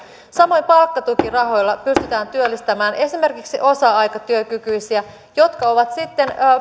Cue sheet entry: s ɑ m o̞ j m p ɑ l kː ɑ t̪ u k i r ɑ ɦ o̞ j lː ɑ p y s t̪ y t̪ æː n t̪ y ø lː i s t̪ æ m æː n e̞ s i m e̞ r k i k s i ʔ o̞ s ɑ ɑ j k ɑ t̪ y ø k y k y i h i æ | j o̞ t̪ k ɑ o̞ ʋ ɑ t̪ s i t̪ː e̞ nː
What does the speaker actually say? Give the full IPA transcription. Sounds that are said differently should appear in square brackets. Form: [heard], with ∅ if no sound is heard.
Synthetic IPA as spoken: s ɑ m o̞ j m p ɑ l kː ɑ t̪ u k i r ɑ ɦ o̞ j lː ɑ p y s t̪ y t̪ æː n t̪ y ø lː i s t̪ æ m æː n e̞ s i m e̞ r k i k s i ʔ o̞ s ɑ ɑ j k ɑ t̪ y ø k y k y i [s] i æ | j o̞ t̪ k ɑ o̞ ʋ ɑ t̪ s i t̪ː e̞ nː